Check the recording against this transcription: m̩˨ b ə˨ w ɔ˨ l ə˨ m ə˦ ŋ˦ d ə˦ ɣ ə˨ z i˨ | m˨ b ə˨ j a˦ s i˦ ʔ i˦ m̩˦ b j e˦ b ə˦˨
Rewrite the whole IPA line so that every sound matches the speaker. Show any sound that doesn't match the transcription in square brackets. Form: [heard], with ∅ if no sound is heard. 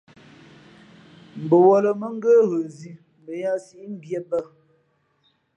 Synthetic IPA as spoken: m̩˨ b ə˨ w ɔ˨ l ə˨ m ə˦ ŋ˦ [ɡ] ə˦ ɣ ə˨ z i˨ | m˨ b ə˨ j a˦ s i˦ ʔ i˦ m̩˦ b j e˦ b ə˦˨

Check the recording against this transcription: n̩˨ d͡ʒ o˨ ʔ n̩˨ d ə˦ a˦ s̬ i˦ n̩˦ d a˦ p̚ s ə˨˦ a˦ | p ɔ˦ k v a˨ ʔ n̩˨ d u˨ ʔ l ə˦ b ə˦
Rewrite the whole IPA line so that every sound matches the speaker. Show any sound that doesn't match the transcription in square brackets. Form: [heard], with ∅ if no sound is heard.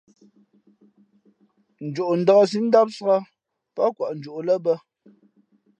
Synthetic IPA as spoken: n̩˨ d͡ʒ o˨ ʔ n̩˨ d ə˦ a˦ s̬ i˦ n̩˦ d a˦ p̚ s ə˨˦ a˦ | p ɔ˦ k [w] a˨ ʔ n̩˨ [d͡ʒ] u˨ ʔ l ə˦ b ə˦

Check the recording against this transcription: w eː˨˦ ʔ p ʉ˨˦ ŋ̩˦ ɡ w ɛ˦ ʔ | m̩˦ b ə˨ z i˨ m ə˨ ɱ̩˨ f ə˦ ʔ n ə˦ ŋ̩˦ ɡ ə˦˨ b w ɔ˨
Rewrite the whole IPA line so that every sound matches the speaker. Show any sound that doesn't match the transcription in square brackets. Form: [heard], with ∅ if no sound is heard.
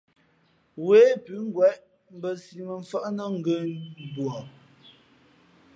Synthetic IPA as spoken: w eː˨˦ [∅] p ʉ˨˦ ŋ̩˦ ɡ w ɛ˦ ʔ | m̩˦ b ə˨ [s] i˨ m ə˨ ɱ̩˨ f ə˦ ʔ n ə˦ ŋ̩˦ ɡ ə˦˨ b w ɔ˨

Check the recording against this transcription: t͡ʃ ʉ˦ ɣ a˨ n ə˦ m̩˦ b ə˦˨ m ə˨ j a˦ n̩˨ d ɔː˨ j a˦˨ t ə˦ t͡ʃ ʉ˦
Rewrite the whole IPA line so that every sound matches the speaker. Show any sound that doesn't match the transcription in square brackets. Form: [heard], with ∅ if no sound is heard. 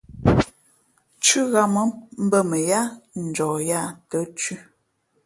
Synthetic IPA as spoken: t͡ʃ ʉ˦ ɣ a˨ [m] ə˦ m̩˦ b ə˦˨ m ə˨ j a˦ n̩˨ [d͡ʒ] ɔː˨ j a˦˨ t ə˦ t͡ʃ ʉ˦

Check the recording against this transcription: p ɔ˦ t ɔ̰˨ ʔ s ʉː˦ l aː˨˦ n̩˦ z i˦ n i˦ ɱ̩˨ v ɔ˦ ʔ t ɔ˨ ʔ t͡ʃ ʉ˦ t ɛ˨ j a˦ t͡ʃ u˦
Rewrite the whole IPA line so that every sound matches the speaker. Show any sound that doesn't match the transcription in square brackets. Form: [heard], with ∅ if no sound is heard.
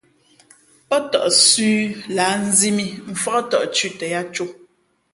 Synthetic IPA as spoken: p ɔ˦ t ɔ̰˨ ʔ s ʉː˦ l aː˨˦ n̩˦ z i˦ [m] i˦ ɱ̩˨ [f] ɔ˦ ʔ t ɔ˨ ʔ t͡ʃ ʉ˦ t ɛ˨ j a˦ t͡ʃ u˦

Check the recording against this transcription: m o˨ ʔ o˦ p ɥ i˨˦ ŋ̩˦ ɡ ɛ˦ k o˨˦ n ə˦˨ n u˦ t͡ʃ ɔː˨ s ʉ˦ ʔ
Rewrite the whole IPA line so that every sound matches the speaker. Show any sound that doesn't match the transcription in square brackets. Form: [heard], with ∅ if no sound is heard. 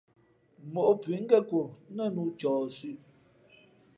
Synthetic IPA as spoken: m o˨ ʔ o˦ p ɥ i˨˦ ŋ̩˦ ɡ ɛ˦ k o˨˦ n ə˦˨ n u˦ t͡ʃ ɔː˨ s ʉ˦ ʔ

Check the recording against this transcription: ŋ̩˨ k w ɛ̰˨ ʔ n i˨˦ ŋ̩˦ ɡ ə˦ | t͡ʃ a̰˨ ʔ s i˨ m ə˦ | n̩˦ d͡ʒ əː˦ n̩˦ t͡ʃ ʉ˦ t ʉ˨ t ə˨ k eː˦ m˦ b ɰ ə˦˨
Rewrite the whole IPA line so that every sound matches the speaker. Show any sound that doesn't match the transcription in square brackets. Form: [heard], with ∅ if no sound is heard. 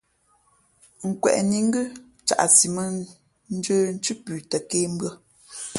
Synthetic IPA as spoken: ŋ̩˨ k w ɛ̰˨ ʔ n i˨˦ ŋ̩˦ ɡ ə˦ | t͡ʃ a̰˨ ʔ s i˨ m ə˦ | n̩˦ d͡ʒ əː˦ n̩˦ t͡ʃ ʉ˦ [p] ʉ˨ t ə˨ k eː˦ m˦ b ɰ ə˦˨

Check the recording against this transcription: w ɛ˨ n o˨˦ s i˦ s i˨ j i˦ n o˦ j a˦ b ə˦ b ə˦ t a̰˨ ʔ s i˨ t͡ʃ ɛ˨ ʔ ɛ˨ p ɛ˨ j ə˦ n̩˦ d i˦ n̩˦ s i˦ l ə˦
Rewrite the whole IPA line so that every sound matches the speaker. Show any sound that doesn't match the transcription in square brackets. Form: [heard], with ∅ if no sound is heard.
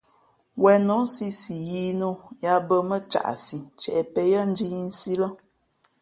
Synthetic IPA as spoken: w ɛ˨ n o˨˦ s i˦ s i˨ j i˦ n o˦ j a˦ b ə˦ [m] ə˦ [t͡ʃ] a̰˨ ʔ s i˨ t͡ʃ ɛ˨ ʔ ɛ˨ p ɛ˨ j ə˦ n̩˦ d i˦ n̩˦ s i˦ l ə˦

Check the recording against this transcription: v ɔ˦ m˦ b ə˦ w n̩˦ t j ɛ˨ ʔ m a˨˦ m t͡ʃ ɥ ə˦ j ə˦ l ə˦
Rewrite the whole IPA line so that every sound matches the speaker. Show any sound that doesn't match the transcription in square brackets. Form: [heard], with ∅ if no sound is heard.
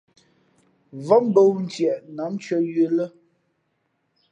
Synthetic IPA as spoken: v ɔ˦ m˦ b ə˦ w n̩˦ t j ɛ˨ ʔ [n] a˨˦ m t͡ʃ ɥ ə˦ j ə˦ l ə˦

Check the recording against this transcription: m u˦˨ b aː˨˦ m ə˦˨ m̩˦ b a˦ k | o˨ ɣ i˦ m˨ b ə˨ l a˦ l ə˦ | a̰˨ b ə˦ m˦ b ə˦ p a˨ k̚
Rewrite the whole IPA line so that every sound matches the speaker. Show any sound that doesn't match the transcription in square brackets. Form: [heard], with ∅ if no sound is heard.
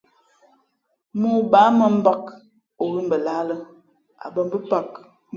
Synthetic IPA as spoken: m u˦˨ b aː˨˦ m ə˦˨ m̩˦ b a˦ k | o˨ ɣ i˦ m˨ b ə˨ l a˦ l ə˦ | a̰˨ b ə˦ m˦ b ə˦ p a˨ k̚

